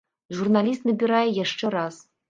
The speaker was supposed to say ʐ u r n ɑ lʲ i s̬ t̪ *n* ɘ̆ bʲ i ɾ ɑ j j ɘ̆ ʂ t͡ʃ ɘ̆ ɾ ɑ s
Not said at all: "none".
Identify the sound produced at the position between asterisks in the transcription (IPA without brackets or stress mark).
n